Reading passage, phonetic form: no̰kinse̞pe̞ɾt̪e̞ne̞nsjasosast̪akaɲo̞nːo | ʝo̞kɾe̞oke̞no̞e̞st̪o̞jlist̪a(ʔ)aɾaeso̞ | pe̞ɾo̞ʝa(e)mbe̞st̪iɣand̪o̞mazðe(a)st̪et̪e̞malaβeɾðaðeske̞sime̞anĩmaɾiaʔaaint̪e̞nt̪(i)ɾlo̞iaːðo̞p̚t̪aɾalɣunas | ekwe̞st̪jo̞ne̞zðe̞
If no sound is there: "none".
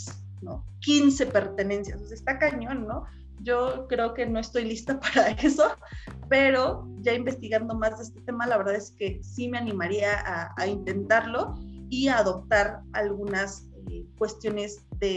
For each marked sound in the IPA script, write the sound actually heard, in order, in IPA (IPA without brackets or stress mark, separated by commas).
p, i, e, a